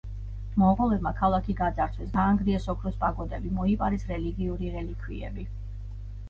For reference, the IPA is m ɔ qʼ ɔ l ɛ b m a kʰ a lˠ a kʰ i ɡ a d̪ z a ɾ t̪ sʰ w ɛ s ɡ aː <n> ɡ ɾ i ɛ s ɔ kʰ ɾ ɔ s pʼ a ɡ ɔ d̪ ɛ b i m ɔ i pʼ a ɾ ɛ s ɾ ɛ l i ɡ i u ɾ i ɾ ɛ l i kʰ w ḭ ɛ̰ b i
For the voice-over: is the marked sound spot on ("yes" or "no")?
no